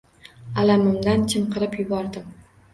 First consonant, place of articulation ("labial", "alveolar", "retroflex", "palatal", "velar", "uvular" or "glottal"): alveolar